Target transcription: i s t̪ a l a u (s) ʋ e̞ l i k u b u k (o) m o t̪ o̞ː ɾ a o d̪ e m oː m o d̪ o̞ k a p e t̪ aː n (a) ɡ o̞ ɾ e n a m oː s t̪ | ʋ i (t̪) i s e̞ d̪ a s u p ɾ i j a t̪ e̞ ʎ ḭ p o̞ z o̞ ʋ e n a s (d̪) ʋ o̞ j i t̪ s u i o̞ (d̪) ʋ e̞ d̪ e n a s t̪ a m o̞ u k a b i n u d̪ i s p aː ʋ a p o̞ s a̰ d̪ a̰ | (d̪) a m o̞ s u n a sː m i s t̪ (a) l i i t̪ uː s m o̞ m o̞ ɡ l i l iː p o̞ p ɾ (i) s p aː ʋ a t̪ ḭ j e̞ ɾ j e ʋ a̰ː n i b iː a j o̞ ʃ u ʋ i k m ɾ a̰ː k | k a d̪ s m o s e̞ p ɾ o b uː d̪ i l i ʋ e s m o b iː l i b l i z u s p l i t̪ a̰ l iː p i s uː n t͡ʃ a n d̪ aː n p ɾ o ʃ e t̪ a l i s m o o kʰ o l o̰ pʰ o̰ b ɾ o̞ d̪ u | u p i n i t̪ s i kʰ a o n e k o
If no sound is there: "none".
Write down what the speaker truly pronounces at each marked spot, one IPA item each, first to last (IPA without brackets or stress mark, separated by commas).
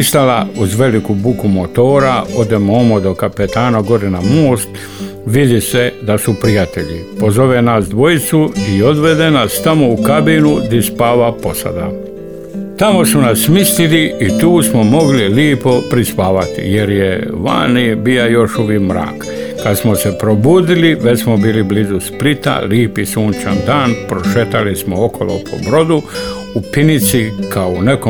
z, u, a, d̪, d̪, d̪, t̪, i, i